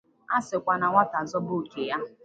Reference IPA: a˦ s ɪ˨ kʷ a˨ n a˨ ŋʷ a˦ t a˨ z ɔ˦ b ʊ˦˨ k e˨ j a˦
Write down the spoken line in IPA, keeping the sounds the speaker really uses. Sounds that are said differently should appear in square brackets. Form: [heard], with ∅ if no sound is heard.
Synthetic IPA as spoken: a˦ s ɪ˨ kʷ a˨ n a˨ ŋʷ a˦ t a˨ z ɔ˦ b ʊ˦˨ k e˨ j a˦